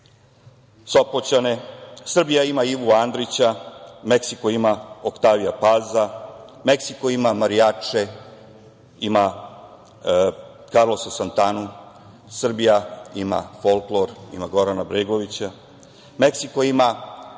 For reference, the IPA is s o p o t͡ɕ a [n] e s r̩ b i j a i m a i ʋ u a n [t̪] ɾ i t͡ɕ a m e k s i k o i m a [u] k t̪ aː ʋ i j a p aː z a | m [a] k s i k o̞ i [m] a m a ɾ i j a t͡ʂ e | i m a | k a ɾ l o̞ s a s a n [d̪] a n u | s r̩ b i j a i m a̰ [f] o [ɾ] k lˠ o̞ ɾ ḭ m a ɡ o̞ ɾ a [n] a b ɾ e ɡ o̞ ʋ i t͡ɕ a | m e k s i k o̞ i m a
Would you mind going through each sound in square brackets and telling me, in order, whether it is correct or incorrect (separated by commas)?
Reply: correct, incorrect, incorrect, incorrect, correct, incorrect, correct, incorrect, correct